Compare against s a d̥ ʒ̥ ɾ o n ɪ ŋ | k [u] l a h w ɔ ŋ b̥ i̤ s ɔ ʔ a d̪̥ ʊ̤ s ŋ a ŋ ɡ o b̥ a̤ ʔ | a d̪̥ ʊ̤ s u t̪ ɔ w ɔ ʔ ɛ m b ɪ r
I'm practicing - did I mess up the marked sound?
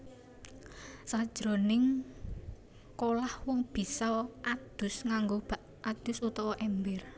yes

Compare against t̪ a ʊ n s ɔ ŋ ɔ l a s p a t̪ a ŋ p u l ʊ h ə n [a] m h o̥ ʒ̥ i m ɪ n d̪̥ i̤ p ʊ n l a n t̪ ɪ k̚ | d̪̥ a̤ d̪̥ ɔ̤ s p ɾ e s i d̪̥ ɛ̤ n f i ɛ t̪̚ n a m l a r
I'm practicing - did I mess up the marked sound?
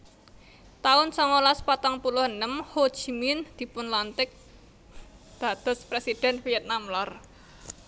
yes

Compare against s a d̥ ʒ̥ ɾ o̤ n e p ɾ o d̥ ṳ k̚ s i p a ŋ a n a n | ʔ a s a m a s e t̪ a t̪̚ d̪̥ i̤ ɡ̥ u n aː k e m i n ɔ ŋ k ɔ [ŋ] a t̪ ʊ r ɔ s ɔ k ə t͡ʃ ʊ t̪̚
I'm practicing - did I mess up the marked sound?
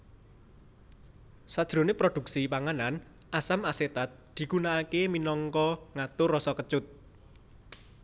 no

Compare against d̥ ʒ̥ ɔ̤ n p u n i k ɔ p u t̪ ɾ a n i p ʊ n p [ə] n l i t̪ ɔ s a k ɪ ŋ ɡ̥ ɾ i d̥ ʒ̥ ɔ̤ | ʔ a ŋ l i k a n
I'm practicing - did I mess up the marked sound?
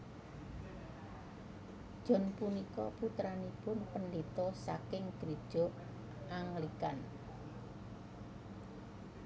no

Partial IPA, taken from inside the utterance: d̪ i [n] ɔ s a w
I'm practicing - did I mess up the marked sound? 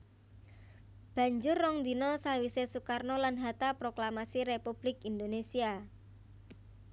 no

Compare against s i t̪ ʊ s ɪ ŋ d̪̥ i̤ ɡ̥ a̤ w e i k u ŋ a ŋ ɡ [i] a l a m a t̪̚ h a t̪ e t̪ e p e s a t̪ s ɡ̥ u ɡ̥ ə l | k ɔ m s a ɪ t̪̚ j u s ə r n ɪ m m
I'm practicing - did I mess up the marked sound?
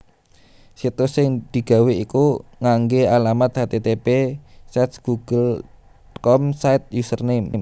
yes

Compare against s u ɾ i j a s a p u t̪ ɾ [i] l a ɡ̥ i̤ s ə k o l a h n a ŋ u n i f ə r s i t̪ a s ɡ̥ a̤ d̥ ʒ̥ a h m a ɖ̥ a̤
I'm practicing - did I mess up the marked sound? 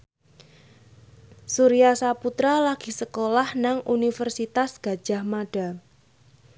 yes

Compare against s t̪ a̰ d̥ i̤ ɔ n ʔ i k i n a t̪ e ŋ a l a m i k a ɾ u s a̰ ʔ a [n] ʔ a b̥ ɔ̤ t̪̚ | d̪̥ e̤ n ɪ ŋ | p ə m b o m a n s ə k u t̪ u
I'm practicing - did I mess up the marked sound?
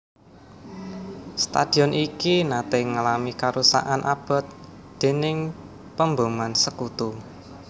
no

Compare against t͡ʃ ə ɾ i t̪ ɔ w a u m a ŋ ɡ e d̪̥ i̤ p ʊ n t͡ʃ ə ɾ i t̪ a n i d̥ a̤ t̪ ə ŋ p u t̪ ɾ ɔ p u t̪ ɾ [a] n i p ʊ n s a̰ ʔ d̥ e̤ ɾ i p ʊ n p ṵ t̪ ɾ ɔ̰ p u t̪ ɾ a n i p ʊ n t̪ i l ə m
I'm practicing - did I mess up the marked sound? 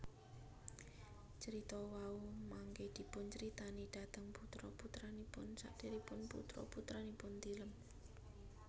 no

